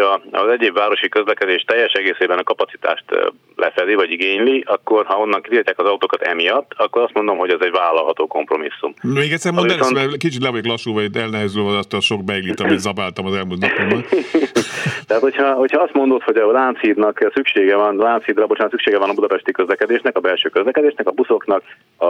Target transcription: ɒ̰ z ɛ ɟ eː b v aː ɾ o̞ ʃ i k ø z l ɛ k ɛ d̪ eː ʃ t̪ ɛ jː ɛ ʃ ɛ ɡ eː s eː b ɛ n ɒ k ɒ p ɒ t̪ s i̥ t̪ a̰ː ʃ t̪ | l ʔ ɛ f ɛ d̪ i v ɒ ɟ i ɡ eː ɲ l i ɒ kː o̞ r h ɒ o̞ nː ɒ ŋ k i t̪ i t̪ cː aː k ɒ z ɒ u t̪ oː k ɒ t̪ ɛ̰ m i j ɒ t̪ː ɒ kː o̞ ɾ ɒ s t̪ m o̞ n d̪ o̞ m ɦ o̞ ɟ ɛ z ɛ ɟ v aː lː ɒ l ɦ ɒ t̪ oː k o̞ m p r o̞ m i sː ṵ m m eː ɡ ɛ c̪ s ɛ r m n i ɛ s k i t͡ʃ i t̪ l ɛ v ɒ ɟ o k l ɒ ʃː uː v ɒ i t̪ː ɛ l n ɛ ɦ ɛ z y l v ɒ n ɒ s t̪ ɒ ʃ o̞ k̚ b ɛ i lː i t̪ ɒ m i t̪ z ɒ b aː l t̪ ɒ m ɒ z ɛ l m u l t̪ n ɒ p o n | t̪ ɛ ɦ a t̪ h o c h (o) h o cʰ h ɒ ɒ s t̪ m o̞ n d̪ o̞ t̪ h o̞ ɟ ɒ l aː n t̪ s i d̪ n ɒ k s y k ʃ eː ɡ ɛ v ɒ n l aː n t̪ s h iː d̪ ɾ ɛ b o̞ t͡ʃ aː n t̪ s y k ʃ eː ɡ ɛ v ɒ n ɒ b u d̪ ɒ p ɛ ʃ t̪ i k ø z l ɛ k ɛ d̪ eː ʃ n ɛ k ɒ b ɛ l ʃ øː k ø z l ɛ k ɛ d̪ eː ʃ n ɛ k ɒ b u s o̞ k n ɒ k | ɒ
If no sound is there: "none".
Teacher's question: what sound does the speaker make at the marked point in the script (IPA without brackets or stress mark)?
ɒ